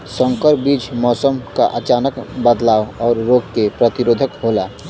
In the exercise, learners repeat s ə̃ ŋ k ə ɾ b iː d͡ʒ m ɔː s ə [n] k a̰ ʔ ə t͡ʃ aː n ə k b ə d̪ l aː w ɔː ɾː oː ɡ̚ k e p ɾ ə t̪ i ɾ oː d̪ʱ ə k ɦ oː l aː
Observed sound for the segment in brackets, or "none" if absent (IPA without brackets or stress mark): m